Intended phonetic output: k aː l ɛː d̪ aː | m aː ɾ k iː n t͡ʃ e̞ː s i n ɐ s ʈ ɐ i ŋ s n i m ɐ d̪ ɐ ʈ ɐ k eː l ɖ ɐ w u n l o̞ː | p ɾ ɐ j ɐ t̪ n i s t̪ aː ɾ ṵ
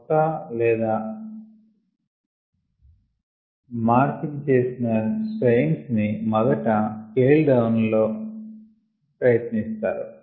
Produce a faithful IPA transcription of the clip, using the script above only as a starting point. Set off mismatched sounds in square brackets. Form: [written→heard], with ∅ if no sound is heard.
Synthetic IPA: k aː l ɛː d̪ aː | m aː ɾ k [iː→i] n t͡ʃ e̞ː s i n ɐ s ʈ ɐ [i→j] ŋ s n i m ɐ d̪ ɐ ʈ ɐ k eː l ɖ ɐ w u n l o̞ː | p ɾ ɐ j ɐ t̪ n i s t̪ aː ɾ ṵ